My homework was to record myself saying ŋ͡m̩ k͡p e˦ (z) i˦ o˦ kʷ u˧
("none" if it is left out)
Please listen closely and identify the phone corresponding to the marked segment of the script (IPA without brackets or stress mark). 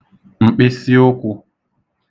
s